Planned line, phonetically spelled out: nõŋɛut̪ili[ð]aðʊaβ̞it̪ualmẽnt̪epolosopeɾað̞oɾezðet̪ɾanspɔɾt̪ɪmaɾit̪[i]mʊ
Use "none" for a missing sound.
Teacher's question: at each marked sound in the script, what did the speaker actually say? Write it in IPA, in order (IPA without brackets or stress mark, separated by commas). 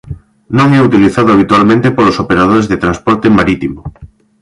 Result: θ, i